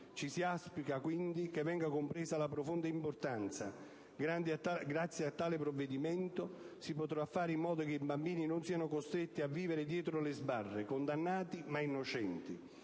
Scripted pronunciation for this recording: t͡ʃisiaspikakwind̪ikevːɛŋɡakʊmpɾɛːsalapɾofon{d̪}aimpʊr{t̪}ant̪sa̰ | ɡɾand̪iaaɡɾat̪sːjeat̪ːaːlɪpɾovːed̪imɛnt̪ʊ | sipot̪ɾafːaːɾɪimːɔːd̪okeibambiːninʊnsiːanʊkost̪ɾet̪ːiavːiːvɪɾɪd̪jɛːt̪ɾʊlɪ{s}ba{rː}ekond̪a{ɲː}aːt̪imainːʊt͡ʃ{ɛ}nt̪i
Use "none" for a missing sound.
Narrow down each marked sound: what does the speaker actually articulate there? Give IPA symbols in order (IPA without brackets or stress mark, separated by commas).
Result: d̪, t̪, z, rː, nː, ɛ